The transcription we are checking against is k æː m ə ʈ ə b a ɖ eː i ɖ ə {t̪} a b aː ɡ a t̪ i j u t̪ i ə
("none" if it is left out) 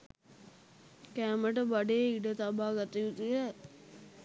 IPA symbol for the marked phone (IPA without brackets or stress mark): t̪